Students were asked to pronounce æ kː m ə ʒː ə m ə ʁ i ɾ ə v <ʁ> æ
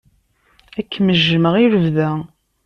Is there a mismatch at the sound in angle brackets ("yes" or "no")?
yes